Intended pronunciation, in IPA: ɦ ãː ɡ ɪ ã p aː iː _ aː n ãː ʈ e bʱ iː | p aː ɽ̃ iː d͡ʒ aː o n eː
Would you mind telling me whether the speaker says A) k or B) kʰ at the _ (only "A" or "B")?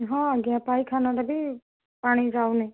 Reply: B